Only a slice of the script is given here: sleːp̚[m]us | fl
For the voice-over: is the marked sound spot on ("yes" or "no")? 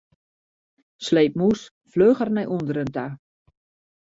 yes